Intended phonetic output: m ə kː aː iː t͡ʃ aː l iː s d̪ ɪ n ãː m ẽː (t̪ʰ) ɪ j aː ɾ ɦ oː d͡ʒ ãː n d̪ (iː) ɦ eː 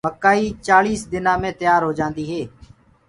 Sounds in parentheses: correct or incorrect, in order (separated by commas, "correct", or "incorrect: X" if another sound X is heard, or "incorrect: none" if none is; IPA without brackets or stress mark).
incorrect: t̪, correct